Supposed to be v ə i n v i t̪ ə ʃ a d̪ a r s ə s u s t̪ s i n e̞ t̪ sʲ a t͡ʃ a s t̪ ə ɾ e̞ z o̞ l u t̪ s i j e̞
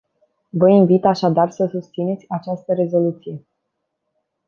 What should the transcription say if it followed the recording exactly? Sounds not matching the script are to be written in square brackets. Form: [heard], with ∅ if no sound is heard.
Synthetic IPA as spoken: v ə i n v i t̪ [a] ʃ a d̪ a r s ə s u s t̪ s i n e̞ t̪ sʲ a t͡ʃ a s t̪ ə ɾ e̞ z o̞ l u t̪ s i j e̞